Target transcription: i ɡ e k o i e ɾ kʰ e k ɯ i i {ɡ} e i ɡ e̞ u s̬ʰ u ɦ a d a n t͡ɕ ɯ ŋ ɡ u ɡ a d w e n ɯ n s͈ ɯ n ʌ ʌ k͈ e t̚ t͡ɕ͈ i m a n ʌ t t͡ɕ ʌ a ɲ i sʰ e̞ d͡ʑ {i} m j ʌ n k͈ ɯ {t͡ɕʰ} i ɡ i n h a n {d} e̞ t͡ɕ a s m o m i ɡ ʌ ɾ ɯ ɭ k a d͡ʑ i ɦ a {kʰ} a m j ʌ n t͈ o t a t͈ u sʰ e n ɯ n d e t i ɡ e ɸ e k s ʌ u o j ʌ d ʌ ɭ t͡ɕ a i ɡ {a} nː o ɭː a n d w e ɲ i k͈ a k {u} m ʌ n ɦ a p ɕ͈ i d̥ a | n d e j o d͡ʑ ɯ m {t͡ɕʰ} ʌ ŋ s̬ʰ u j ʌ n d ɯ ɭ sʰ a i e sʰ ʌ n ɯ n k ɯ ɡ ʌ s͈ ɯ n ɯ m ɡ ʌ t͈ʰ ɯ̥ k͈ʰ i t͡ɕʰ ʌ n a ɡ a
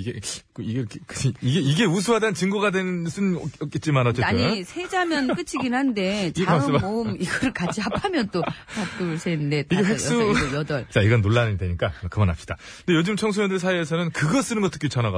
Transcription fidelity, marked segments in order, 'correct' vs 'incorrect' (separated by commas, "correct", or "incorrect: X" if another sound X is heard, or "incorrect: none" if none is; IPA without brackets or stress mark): correct, incorrect: a, correct, correct, incorrect: pʰ, incorrect: ʌ, incorrect: ɯ, correct